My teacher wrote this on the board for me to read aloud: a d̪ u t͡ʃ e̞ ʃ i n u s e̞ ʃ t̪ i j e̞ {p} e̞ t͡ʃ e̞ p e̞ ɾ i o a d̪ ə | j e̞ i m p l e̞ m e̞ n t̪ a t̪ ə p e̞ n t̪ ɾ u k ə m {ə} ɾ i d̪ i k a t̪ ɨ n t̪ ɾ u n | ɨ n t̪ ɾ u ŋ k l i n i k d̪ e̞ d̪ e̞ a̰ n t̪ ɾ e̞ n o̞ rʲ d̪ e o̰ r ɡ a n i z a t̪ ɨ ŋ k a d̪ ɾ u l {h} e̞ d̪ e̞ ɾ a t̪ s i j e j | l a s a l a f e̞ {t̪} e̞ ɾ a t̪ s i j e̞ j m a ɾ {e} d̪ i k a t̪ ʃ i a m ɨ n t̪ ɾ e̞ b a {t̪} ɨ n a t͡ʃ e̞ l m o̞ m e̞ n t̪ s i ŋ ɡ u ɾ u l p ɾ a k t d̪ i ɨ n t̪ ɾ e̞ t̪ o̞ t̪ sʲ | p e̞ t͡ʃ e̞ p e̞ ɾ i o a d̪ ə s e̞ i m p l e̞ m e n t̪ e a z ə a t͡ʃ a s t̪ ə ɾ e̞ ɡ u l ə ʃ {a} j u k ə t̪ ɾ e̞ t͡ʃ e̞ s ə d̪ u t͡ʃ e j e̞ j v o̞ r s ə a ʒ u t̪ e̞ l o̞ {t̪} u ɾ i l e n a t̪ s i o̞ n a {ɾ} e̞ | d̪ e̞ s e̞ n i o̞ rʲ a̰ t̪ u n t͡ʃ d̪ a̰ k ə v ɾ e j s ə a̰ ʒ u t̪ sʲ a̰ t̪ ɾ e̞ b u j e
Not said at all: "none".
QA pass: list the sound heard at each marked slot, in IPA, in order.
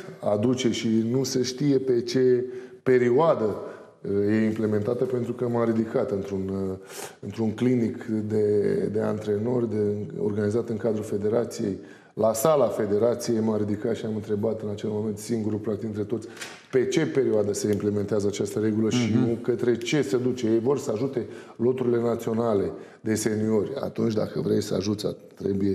p, a, f, d̪, i, t̪, i, t̪, l

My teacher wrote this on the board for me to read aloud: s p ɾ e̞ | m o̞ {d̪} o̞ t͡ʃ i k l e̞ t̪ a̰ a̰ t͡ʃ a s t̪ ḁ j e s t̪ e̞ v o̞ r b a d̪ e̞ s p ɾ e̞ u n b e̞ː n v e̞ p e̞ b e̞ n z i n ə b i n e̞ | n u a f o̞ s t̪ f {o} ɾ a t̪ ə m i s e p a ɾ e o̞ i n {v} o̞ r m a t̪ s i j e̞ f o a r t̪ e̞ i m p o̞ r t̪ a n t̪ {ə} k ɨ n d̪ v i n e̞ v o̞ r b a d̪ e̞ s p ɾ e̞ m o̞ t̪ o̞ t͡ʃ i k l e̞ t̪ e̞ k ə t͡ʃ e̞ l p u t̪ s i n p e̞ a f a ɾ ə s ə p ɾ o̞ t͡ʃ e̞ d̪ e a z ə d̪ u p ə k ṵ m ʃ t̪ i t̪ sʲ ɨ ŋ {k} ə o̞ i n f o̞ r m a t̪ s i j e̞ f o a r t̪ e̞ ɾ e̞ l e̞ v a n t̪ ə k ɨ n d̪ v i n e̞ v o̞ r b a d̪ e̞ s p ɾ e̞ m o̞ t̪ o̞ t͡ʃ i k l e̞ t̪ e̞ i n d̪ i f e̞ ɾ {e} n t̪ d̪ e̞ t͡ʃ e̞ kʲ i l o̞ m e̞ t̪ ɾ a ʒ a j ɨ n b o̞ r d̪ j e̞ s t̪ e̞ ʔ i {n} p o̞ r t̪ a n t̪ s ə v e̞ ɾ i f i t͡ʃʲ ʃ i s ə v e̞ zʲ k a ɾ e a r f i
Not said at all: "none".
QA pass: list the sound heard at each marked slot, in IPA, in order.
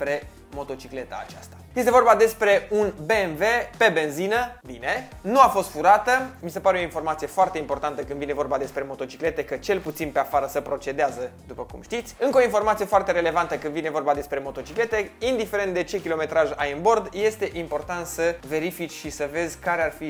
t̪, u, f, ə, k, e, m

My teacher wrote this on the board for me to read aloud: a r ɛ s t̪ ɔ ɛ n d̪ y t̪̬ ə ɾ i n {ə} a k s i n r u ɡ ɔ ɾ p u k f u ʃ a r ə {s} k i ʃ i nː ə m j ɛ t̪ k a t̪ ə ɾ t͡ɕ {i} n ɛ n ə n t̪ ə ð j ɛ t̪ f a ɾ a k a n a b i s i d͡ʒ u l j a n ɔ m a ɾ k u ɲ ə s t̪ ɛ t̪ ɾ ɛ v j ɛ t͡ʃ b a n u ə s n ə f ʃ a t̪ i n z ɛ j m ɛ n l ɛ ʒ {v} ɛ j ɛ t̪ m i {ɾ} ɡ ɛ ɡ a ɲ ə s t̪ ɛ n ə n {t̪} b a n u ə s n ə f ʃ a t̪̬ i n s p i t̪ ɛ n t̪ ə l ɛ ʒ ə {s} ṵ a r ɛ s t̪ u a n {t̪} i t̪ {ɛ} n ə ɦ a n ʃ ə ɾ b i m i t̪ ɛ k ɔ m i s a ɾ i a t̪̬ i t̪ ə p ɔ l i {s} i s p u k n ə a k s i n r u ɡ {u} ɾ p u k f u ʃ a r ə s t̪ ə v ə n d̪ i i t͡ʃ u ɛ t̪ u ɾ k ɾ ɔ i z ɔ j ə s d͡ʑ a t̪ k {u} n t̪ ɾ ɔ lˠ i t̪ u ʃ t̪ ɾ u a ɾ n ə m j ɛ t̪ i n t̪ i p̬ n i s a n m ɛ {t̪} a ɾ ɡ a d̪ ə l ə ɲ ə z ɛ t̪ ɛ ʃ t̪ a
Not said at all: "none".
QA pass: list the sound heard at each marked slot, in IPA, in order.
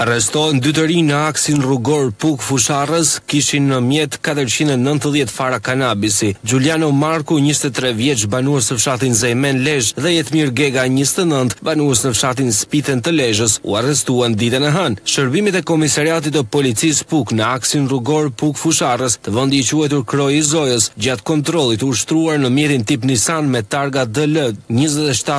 ə, s, i, ð, ɾ, t̪, s, d̪, ɛ, t͡s, ɔ, ɔ, t̪

